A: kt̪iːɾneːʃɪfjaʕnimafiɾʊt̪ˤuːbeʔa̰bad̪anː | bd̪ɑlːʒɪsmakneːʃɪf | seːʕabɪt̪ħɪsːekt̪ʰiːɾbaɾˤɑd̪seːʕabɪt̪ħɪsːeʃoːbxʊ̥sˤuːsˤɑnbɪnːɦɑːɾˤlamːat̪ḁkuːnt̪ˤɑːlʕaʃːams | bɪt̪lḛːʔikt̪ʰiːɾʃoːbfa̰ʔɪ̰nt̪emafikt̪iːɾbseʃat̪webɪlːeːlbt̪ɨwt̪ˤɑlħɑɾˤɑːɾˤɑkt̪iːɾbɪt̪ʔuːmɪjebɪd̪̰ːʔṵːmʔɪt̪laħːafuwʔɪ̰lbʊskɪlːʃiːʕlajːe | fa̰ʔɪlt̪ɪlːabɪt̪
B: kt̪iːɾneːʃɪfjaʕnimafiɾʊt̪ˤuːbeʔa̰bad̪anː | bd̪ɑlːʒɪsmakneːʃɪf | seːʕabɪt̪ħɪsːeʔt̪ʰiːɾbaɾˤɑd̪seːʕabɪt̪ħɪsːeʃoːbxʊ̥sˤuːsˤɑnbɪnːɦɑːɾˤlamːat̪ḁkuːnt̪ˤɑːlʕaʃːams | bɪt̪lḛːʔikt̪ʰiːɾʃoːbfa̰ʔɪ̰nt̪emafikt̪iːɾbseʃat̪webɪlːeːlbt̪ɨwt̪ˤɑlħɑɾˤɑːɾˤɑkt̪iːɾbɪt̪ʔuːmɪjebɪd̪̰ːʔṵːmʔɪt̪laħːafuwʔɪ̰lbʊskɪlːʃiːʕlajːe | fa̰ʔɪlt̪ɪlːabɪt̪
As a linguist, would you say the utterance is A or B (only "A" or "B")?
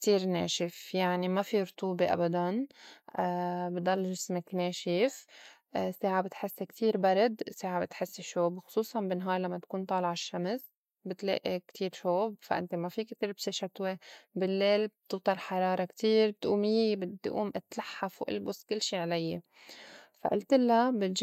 A